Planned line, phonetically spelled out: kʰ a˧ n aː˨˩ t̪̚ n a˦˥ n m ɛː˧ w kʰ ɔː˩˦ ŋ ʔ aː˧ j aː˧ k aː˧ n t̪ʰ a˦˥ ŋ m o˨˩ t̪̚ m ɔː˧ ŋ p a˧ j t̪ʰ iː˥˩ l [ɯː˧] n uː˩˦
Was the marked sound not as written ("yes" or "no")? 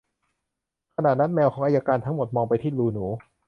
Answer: yes